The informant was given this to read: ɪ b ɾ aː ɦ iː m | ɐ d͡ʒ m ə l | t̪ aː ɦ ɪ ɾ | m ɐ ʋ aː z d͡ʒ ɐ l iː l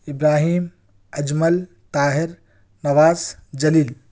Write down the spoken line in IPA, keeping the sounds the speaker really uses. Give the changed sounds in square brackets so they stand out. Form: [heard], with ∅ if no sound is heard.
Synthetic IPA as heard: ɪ b ɾ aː ɦ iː m | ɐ d͡ʒ m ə l | t̪ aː ɦ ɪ ɾ | [n] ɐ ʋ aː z d͡ʒ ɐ l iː l

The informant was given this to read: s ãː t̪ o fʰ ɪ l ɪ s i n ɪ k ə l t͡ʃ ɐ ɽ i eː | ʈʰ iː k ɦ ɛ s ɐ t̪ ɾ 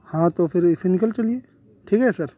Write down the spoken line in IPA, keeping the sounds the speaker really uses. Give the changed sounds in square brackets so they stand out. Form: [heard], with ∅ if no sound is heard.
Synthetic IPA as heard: [h] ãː t̪ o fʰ ɪ [ɾ] ɪ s [e] n ɪ k ə l t͡ʃ ɐ [l] i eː | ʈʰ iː k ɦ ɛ s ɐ [∅] ɾ

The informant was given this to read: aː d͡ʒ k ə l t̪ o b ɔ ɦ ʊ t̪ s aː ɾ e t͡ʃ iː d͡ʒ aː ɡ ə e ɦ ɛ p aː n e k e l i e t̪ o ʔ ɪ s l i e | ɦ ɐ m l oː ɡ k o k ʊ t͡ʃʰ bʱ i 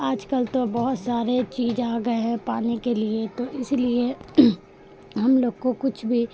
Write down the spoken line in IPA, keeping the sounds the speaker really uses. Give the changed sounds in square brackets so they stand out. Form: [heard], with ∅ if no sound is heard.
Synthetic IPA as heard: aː d͡ʒ k ə l t̪ o b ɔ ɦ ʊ t̪ s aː ɾ e t͡ʃ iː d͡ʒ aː ɡ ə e ɦ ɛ p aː n e k e l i e t̪ o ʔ ɪ s l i e | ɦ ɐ m l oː ɡ k o k ʊ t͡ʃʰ bʱ i

